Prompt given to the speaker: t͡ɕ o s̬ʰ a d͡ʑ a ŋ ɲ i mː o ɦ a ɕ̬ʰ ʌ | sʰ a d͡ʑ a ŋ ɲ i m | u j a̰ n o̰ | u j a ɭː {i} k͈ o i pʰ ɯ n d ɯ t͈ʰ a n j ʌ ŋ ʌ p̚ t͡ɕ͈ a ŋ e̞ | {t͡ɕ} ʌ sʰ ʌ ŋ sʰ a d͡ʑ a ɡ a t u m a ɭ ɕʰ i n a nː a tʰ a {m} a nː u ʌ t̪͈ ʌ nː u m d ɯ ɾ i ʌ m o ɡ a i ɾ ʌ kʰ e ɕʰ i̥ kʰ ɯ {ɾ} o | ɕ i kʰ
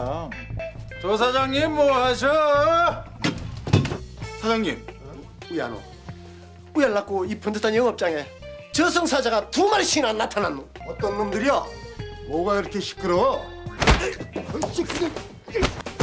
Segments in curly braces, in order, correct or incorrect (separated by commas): incorrect, correct, incorrect, correct